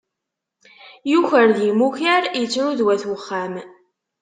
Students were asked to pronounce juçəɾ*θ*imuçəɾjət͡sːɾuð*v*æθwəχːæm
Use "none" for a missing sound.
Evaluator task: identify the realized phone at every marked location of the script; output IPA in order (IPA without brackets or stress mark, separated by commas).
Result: ð, w